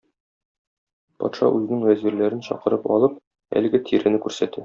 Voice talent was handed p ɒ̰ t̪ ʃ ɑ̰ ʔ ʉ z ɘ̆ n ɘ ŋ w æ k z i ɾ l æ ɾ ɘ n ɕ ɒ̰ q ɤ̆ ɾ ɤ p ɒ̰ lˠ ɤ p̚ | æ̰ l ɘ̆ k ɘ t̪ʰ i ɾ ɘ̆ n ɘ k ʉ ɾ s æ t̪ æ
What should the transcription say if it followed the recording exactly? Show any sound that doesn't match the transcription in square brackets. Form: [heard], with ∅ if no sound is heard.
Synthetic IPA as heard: p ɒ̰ t̪ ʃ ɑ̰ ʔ ʉ z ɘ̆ n ɘ ŋ w æ [∅] z i ɾ l æ ɾ ɘ n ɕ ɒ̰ q ɤ̆ ɾ ɤ p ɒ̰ lˠ ɤ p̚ | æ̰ l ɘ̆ [ɡ] ɘ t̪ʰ i ɾ ɘ̆ n ɘ k ʉ ɾ s æ t̪ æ